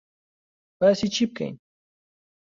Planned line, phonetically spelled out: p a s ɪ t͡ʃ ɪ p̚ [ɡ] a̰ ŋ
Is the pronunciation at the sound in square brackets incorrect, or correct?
incorrect